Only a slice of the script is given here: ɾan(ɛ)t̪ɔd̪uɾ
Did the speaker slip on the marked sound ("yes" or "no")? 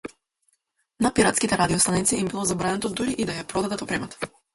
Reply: no